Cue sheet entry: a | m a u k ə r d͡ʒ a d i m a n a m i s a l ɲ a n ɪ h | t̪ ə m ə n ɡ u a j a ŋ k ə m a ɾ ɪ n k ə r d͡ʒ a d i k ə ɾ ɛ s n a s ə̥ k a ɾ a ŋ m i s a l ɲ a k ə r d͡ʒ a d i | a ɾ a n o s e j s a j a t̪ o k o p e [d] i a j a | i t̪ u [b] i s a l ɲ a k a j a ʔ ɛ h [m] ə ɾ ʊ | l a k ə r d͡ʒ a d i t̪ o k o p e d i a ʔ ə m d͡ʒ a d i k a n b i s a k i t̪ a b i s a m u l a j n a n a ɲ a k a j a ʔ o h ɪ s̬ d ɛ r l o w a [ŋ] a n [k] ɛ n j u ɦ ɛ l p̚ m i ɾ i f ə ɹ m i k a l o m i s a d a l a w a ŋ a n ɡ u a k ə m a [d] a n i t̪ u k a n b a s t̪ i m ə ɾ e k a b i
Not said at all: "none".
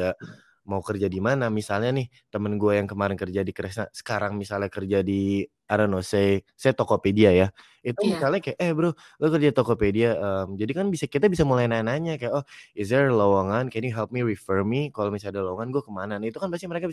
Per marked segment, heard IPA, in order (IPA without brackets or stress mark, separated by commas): d, m, b, ŋ, k, n